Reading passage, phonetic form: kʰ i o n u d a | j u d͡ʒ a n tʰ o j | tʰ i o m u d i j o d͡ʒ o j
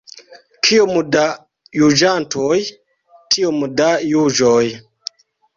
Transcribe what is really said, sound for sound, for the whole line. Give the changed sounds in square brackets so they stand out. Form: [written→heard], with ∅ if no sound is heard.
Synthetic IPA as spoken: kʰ i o [n→m] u d a | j u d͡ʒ a n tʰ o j | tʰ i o m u d [i→a] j [o→u] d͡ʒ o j